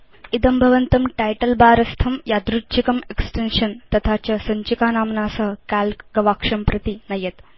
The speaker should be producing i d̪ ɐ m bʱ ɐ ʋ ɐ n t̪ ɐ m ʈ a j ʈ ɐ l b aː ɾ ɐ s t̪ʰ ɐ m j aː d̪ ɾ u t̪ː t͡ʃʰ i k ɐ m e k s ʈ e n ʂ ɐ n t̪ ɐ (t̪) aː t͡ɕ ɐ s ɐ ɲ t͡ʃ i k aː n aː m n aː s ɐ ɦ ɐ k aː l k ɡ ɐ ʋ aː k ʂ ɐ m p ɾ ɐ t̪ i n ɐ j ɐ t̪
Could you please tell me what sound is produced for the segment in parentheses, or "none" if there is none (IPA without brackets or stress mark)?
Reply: t̪ʰ